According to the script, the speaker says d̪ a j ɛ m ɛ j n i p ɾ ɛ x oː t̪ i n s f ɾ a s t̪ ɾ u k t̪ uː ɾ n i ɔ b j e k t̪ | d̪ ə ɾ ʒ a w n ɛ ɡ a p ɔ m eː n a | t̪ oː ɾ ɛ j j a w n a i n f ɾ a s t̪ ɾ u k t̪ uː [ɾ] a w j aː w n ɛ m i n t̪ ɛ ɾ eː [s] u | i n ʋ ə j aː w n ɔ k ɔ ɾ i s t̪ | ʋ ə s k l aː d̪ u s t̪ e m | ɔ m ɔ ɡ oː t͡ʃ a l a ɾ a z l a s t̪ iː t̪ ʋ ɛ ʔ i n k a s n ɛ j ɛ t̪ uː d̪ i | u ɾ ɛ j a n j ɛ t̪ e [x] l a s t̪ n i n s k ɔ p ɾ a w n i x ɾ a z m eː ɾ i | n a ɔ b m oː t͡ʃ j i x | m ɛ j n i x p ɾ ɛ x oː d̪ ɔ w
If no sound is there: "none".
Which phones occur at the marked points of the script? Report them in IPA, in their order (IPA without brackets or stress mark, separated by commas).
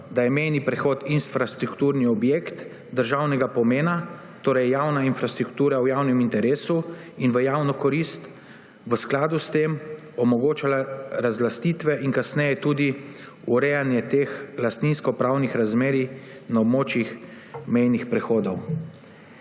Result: ɾ, s, x